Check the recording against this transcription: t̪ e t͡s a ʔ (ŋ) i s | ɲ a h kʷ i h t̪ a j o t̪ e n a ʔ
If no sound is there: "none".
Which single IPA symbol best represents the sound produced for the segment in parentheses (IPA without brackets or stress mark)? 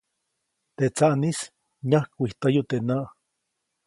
n